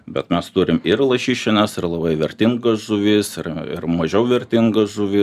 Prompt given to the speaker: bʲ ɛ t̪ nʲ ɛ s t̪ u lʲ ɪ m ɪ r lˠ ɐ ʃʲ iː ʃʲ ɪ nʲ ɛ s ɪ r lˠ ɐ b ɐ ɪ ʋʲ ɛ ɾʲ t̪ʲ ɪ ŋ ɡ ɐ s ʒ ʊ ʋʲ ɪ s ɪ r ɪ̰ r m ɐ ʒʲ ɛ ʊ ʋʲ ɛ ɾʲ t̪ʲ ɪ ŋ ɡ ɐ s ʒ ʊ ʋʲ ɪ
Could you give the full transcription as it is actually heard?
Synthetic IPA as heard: bʲ ɛ t̪ mʲ ɛ s t̪ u ɾʲ ɪ m ɪ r lˠ ɐ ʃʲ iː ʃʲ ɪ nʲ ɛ s ɪ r lˠ ɐ b ɐ ɪ ʋʲ ɛ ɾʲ t̪ʲ ɪ ŋ ɡ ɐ s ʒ ʊ ʋʲ ɪ s ɪ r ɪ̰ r m ɐ ʒʲ ɛ ʊ ʋʲ ɛ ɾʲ t̪ʲ ɪ ŋ ɡ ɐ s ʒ ʊ ʋʲ ɪ